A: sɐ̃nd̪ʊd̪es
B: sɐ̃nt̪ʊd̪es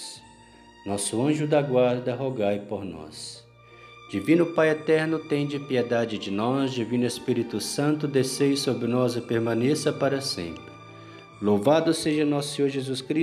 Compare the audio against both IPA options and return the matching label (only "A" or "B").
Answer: B